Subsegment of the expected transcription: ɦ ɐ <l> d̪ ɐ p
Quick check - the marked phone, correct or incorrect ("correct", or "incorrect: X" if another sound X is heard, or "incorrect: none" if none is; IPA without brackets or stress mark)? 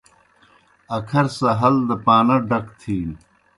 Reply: correct